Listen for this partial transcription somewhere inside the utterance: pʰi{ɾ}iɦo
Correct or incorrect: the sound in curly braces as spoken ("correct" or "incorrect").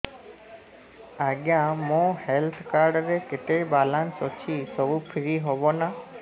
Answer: correct